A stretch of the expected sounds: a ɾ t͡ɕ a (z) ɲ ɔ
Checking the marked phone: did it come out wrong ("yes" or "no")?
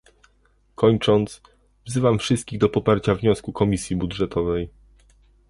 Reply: yes